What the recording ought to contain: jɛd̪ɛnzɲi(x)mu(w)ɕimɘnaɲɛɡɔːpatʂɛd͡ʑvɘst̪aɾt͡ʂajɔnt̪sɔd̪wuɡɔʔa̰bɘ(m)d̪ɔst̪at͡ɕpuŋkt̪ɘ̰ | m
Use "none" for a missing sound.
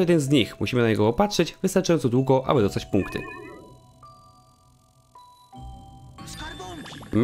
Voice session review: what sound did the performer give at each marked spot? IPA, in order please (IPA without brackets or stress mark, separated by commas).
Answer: x, none, none